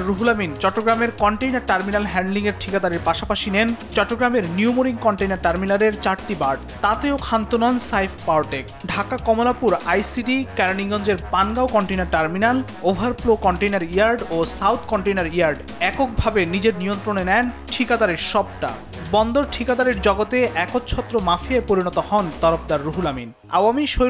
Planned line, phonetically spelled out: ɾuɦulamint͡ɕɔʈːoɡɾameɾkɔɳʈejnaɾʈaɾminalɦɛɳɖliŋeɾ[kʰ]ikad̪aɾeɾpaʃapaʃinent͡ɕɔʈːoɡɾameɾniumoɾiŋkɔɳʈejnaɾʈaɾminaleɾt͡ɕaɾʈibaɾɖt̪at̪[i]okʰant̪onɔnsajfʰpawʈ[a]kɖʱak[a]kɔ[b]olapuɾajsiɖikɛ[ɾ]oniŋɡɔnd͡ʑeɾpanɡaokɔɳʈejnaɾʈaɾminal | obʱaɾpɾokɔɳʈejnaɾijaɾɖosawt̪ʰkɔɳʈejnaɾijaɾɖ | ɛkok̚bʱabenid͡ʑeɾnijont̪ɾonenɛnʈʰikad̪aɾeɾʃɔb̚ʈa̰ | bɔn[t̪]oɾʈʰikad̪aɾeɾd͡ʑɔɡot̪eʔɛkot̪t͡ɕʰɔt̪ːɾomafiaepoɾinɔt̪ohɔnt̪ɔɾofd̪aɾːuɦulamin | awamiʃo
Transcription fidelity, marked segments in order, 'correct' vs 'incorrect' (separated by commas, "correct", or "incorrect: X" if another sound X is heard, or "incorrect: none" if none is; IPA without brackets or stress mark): incorrect: ʈʰ, incorrect: e, incorrect: e, correct, incorrect: m, correct, incorrect: d̪